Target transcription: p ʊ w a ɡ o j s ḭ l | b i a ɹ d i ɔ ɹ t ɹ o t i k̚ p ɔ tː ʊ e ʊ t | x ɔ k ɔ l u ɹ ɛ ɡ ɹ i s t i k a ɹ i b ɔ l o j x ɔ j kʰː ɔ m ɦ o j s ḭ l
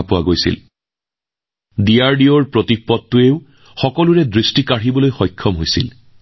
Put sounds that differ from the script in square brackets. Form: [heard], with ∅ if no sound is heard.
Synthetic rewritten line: p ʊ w a ɡ o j s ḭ l | [d] i a ɹ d i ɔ ɹ [p] ɹ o t i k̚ p ɔ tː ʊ e ʊ [∅] | x ɔ k ɔ l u ɹ ɛ [d] ɹ i s t i k a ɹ i b ɔ l o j x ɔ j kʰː ɔ m ɦ o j s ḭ l